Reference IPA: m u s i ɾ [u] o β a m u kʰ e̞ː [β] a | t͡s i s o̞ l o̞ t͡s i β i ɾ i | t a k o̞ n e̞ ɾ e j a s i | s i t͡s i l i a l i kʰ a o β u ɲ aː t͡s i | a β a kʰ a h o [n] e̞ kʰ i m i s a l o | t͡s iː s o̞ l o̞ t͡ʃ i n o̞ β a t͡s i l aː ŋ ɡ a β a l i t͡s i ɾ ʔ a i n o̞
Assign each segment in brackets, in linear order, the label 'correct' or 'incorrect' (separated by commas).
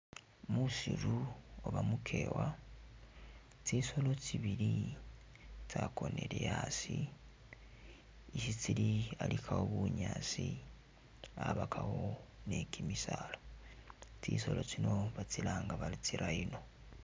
correct, incorrect, correct